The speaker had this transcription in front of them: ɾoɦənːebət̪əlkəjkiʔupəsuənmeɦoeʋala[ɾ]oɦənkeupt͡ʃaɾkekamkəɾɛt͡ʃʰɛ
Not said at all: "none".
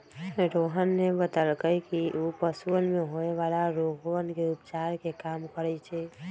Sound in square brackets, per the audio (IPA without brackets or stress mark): ɾ